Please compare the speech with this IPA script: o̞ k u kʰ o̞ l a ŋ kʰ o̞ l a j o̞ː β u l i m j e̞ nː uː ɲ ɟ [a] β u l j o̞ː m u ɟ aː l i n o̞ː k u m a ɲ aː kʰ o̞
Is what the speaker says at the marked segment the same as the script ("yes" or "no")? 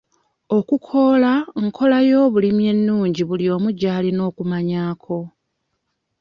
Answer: no